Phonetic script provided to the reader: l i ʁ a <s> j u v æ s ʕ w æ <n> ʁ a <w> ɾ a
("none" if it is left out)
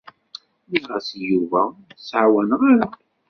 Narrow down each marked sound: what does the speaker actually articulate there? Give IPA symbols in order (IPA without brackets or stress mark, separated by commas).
s, n, none